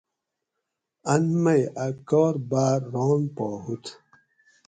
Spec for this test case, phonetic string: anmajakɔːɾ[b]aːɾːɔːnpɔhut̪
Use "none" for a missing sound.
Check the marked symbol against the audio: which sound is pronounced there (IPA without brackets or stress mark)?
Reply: b